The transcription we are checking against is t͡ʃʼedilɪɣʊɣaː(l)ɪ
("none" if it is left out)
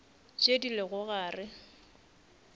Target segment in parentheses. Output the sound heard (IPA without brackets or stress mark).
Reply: r